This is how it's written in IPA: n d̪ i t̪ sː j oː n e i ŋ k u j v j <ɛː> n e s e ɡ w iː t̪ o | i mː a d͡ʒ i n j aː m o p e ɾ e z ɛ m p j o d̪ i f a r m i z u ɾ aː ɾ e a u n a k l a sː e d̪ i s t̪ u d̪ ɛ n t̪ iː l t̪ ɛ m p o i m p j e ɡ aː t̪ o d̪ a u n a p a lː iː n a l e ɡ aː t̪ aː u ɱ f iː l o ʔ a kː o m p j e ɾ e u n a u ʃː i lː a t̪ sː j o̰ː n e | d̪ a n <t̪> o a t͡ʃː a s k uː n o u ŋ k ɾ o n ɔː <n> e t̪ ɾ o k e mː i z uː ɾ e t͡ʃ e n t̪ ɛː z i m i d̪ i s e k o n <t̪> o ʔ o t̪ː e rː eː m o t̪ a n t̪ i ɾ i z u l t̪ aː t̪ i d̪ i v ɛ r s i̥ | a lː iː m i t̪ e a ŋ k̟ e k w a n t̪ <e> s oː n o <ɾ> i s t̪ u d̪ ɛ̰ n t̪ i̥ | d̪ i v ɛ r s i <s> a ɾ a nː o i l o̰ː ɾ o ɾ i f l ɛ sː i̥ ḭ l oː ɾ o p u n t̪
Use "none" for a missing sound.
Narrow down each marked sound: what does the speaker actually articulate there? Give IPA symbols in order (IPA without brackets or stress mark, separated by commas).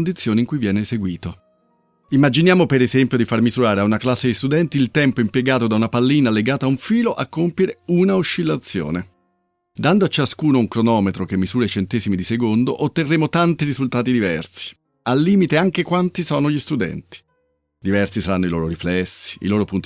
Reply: ɛː, d̪, m, d̪, i, ʎ, s